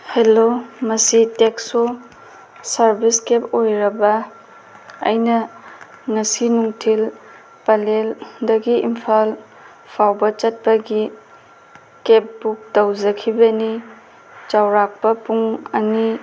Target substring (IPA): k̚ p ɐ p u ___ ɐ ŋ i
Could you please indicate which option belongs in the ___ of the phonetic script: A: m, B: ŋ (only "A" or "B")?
B